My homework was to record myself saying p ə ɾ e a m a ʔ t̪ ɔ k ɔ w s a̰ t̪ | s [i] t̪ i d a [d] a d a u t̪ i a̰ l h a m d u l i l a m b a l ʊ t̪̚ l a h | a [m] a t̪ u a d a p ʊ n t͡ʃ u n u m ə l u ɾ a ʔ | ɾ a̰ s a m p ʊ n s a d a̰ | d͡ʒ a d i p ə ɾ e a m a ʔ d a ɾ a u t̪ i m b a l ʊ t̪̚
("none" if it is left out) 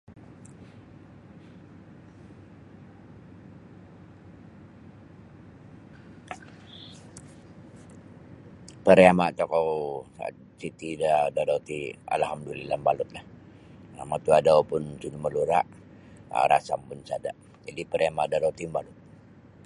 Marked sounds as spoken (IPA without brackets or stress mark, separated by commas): i, d, m